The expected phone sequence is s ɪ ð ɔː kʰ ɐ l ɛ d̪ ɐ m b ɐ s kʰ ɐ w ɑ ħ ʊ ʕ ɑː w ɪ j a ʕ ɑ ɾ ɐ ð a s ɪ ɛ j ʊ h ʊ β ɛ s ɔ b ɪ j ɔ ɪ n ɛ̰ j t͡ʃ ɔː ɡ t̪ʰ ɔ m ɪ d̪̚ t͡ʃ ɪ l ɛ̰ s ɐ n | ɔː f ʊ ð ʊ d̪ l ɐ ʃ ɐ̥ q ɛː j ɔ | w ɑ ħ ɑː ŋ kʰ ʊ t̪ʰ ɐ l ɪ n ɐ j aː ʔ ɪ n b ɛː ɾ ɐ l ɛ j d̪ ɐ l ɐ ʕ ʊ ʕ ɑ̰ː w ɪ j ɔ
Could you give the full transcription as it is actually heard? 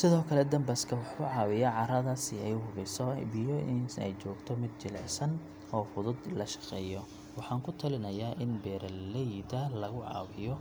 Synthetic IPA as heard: s ɪ ð ɔː kʰ ɐ l ɛ d̪ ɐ m b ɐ s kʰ ɐ w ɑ ħ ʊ ʕ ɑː w ɪ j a ʕ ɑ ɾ ɐ ð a s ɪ ɛ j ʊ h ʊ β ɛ s ɔ b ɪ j ɔ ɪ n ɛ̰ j t͡ʃ ɔː ɡ t̪ʰ ɔ m ɪ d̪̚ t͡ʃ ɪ l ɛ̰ s ɐ n | ɔː f ʊ ð ʊ d̪ l ɐ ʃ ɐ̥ q ɛː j ɔ | w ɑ ħ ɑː ŋ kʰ ʊ t̪ʰ ɐ l ɪ n ɐ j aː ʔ ɪ n b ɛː ɾ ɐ l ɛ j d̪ ɐ l ɐ ɣ ʊ ʕ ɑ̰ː w ɪ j ɔ